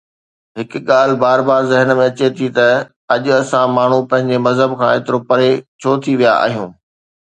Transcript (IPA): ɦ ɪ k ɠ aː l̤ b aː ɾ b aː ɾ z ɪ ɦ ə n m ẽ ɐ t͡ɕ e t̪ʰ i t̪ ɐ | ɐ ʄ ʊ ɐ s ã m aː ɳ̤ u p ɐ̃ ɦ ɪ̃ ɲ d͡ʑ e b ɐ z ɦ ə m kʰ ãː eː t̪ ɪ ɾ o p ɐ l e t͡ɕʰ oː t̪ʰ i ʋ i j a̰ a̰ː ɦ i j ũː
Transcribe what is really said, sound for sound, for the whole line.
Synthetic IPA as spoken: ɦ ɪ k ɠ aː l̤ b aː ɾ b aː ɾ z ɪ ɦ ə n m ẽ ɐ t͡ɕ e t̪ʰ i t̪ ɐ | ɐ ʄ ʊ ɐ s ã m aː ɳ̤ u p ɐ̃ ɦ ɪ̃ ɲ d͡ʑ e m ɐ z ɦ ə b kʰ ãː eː t̪ ɪ ɾ o p ɐ ɾ e t͡ɕʰ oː t̪ʰ i ʋ i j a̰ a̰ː ɦ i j ũː